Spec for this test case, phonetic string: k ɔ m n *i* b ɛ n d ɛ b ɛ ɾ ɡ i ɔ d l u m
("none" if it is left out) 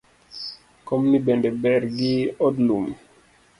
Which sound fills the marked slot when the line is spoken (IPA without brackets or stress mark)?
i